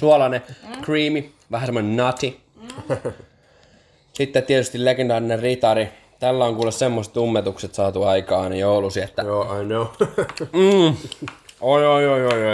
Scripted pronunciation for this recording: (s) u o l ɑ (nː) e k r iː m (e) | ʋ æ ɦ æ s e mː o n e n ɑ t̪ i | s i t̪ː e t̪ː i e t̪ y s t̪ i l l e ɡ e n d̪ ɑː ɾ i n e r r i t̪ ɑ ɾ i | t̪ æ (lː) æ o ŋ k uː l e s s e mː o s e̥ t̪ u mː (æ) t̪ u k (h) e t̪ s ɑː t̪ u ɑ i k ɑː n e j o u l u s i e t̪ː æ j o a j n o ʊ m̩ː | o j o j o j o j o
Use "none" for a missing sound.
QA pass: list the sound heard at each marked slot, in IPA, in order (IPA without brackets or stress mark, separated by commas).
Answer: s, n, i, lː, e, s